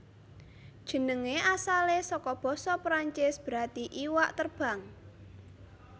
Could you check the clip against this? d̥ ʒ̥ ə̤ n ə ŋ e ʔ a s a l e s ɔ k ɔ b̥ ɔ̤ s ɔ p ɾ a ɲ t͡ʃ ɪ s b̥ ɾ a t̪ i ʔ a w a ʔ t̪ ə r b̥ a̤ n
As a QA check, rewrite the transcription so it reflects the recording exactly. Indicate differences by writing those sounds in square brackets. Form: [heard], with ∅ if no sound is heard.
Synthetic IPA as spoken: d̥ ʒ̥ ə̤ n ə ŋ e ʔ a s a l e s ɔ k ɔ b̥ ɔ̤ s ɔ p ɾ a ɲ t͡ʃ ɪ s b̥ ɾ a t̪ i ʔ [i] w a ʔ t̪ ə r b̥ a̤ [ŋ]